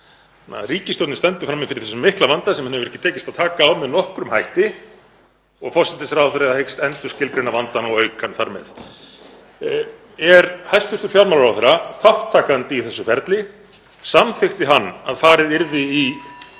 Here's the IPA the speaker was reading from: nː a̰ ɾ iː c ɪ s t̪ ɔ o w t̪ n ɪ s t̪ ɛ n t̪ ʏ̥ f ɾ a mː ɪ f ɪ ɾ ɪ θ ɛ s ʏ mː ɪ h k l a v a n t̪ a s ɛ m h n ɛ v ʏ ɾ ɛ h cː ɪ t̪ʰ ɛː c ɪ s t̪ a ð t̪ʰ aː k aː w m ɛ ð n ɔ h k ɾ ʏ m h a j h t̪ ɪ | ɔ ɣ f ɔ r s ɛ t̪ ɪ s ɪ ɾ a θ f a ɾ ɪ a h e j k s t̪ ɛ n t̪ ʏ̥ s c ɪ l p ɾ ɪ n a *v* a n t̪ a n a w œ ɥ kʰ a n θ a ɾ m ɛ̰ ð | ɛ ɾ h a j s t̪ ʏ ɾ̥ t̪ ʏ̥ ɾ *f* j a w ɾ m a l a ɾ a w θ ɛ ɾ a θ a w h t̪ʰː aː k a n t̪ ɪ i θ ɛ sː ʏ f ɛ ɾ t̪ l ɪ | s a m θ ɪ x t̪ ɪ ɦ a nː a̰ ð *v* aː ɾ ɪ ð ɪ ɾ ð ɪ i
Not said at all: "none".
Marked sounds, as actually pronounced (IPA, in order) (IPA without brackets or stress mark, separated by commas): v, f, f